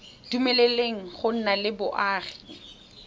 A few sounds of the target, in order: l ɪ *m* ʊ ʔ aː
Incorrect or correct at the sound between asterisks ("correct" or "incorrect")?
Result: incorrect